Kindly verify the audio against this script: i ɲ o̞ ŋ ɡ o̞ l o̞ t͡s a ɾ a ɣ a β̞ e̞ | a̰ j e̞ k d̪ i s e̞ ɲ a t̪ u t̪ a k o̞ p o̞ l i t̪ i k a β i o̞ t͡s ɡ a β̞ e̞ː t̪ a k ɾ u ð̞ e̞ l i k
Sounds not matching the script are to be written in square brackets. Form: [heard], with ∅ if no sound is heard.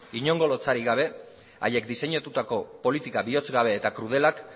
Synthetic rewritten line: i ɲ o̞ ŋ ɡ o̞ l o̞ t͡s a ɾ [i] ɣ a β̞ e̞ | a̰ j e̞ k d̪ i s e̞ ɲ a t̪ u t̪ a k o̞ p o̞ l i t̪ i k a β i o̞ t͡s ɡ a β̞ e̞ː t̪ a k ɾ u ð̞ e̞ l [a] k